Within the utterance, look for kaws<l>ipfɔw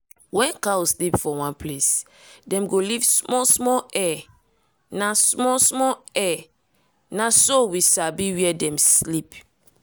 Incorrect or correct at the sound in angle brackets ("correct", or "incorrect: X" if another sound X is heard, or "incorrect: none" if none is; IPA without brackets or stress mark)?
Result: correct